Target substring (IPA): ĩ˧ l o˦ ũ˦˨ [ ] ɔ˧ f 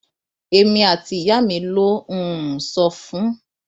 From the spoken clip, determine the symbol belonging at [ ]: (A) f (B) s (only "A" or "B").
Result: B